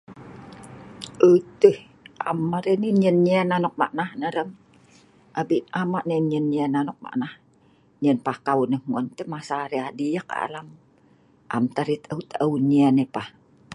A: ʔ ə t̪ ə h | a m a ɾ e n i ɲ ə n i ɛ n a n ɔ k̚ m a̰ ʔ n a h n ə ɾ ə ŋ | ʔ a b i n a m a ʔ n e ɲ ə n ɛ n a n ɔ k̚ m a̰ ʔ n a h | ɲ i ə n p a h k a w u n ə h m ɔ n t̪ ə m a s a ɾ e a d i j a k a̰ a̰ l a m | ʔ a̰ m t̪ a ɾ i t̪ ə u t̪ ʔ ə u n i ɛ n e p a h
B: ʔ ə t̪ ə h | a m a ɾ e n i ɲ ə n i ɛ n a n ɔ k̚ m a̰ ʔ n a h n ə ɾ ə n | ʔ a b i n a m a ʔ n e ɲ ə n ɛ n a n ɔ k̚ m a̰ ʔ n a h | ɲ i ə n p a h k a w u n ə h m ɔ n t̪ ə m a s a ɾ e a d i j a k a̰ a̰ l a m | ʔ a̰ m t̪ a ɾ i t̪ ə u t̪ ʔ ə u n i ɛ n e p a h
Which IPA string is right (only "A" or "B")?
A